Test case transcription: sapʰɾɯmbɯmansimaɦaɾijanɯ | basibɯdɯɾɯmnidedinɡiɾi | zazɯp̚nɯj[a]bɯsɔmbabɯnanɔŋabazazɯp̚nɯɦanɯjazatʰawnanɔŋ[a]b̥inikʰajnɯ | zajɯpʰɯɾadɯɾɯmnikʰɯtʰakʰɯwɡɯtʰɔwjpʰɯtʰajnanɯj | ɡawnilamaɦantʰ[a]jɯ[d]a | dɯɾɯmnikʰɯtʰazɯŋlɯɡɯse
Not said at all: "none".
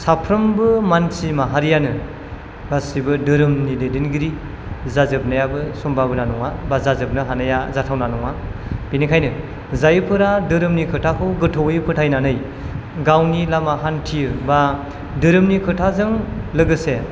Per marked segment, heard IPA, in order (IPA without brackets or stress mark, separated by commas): a, a, i, b